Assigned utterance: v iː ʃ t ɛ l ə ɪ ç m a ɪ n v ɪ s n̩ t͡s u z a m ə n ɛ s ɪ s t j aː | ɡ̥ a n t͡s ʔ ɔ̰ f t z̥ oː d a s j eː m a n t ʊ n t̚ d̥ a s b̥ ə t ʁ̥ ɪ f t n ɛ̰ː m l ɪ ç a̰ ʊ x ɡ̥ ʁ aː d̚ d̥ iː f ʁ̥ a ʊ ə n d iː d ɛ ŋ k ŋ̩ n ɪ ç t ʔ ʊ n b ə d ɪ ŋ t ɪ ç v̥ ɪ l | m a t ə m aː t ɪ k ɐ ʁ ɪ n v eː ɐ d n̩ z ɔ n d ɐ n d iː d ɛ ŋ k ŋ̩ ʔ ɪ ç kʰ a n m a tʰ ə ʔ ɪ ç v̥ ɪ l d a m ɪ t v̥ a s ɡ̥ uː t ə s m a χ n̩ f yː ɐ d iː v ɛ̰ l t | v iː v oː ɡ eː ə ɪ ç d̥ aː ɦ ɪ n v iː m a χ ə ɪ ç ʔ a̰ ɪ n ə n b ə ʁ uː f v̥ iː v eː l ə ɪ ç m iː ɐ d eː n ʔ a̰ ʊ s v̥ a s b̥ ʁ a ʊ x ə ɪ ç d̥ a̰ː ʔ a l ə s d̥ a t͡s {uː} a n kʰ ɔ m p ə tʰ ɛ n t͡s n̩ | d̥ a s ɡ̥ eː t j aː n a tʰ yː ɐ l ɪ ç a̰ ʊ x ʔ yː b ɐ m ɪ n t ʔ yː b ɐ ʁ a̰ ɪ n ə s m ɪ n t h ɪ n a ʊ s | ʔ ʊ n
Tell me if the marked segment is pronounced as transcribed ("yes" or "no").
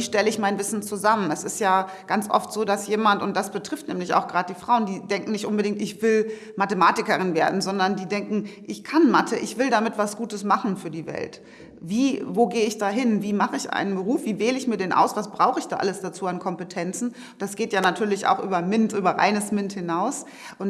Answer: yes